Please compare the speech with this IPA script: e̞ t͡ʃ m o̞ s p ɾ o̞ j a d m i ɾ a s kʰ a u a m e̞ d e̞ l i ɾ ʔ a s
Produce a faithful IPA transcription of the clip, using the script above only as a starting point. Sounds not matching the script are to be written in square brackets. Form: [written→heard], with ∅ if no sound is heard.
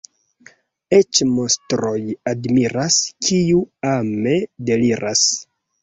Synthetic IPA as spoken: e̞ t͡ʃ m o̞ s [p→t] ɾ o̞ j a d m i ɾ a s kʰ [a→i] u a m e̞ d e̞ l i ɾ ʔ a s